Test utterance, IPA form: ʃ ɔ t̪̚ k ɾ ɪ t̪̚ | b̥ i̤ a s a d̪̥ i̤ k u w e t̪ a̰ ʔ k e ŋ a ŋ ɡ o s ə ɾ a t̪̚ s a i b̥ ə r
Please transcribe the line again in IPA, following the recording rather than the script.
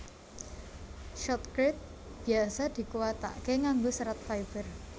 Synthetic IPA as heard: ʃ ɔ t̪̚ k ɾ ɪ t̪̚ | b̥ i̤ a s a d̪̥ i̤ k u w a t̪ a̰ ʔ k e ŋ a ŋ ɡ o s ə ɾ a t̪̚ f a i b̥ ə r

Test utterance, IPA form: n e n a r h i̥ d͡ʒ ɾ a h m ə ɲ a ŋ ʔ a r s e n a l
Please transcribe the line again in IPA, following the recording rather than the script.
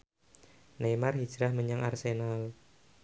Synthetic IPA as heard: n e m a r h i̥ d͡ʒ ɾ a h m ə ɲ a ŋ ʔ a r s e n a l

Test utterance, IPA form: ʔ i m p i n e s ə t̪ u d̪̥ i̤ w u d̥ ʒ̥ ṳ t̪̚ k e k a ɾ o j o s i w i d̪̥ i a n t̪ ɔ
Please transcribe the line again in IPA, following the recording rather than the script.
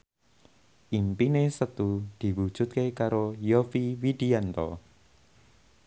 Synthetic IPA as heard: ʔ i m p i n e s ə t̪ u d̪̥ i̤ w u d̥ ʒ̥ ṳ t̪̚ k e k a ɾ o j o f i w i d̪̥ i a n t̪ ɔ

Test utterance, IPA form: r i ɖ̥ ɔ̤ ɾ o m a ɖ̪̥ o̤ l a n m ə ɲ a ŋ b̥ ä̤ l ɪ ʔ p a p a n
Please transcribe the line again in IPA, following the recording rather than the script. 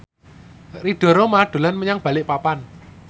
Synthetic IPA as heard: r i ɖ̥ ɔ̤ ɾ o m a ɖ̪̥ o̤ l a n m ə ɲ a ŋ b̥ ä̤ l ɪ ʔ p a p a n

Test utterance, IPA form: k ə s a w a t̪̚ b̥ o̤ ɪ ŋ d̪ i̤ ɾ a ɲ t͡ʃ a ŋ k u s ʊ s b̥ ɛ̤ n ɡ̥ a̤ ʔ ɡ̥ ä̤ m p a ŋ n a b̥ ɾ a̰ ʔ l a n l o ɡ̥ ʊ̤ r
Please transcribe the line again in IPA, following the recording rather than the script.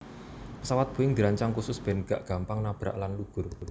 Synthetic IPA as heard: p ə s a w a t̪̚ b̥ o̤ ɪ ŋ d̪ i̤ ɾ a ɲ t͡ʃ a ŋ k u s ʊ s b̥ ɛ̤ n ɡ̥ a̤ ʔ ɡ̥ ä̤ m p a ŋ n a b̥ ɾ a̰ ʔ l a n l u ɡ̥ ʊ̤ r

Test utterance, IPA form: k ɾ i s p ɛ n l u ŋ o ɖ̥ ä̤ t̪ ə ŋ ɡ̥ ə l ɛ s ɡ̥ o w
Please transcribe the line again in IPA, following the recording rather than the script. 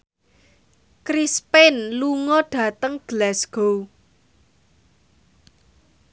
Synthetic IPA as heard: k ɾ i s p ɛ n l u ŋ ɔ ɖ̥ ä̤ t̪ ə ŋ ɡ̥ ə l ɛ s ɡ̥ o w

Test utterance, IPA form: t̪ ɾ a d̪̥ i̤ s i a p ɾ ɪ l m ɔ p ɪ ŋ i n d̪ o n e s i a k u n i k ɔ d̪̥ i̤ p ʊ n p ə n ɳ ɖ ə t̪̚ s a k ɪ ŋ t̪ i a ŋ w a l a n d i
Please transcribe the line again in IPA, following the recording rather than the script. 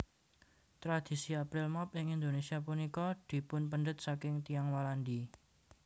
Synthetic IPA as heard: t̪ ɾ a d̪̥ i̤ s i a p ɾ ɪ l m ɔ p ɪ ŋ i n d̪ o n e s i a p u n i k ɔ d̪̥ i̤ p ʊ n p ə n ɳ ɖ ə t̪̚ s a k ɪ ŋ t̪ i a ŋ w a l a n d i

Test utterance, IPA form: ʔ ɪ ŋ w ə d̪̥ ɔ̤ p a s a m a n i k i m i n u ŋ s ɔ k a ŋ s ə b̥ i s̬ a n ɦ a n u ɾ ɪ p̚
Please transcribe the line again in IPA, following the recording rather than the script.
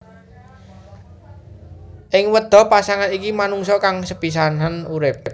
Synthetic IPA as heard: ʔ ɪ ŋ w ə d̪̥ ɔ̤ p a s a ŋ a n i k i m a n u ŋ s ɔ k a ŋ s ə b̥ i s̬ a n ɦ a n u ɾ ɪ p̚

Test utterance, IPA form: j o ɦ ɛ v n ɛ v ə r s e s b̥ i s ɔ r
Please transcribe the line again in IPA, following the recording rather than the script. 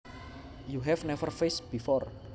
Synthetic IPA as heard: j u ɦ ɛ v n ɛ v ə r f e s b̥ i f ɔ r

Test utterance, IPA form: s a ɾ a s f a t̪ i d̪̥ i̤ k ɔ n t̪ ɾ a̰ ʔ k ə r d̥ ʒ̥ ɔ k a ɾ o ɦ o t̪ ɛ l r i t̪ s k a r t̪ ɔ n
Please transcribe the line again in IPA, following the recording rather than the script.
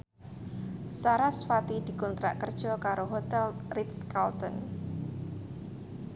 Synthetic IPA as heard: s a ɾ a s f a t̪ i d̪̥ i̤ k ɔ n t̪ ɾ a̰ ʔ k ə r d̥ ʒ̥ ɔ k a ɾ o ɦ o t̪ ɛ l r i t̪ s k a l t̪ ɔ n

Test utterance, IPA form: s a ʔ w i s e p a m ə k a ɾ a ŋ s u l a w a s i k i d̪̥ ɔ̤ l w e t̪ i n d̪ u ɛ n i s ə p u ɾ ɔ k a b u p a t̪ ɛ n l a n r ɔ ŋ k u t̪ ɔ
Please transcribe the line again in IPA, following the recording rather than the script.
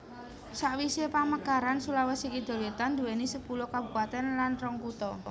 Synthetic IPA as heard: s a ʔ w i s e p a m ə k a ɾ a n s u l a w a s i k i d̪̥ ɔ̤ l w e t̪ a n d̪ u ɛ n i s ə p u l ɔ k a b u p a t̪ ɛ n l a n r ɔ ŋ k u t̪ ɔ

